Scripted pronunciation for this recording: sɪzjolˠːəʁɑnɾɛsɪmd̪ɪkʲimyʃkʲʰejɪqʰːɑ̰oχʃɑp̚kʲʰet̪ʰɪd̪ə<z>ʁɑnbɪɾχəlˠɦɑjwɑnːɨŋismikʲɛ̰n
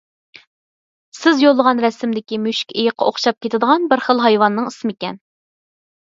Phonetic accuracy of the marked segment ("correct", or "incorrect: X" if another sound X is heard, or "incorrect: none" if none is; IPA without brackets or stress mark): incorrect: none